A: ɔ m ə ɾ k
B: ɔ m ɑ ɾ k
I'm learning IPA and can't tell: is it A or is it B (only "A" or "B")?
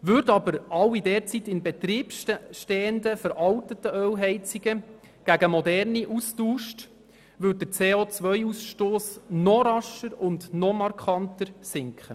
B